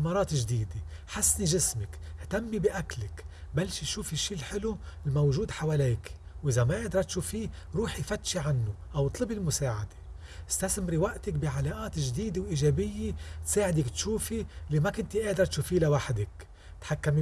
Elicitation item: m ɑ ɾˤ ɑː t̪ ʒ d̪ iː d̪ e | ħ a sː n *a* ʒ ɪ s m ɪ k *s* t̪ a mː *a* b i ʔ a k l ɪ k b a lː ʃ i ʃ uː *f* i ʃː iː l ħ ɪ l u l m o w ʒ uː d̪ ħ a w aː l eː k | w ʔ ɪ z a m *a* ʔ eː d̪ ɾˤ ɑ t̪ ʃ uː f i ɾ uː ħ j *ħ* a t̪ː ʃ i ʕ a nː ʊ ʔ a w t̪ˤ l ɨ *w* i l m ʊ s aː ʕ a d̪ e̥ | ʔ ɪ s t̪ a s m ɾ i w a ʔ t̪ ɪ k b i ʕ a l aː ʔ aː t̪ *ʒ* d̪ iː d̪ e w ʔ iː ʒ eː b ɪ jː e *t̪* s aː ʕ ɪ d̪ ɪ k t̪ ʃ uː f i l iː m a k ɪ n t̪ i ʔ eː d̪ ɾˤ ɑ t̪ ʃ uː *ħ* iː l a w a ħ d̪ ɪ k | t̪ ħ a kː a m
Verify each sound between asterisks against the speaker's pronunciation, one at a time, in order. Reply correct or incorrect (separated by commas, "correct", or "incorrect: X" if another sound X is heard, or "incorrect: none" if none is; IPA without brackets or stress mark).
incorrect: i, incorrect: h, incorrect: i, correct, correct, incorrect: f, incorrect: b, correct, correct, incorrect: f